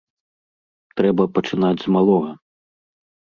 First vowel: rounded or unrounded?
unrounded